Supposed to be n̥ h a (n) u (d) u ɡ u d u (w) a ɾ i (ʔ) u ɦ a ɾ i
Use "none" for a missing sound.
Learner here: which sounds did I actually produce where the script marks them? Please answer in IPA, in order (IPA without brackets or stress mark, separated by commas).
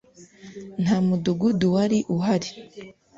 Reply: m, d, w, ʔ